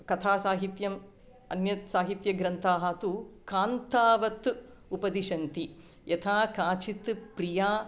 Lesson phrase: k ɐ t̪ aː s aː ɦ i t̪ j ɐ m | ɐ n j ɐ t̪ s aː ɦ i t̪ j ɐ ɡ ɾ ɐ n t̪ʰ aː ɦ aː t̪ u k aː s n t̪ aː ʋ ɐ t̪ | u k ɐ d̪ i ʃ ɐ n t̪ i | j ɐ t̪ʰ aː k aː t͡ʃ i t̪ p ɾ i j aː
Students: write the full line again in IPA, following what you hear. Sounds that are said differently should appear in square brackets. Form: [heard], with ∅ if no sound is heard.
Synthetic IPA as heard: k ɐ [t̪ʰ] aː s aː ɦ i t̪ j ɐ m | ɐ n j ɐ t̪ s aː ɦ i t̪ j ɐ ɡ ɾ ɐ n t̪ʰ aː ɦ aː t̪ u k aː [∅] n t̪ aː ʋ ɐ t̪ | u [p] ɐ d̪ i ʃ ɐ n t̪ i | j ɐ t̪ʰ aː k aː t͡ʃ i t̪ p ɾ i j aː